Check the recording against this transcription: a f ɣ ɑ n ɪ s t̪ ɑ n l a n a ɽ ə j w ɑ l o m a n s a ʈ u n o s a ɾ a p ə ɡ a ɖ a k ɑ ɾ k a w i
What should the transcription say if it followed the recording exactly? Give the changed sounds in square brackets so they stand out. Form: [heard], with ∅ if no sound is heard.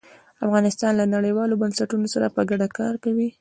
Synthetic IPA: a f ɣ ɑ n ɪ s t̪ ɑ n l a n a ɽ ə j w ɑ l o [b] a n s a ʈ u n o s a ɾ a p ə ɡ a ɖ a k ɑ ɾ k a w i